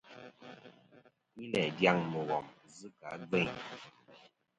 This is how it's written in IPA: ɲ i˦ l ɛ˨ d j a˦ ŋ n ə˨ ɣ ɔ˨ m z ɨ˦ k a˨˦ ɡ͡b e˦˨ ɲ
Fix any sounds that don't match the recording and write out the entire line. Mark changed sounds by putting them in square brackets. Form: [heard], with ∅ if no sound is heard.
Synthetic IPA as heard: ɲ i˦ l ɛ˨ d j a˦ ŋ [m] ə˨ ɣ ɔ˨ m z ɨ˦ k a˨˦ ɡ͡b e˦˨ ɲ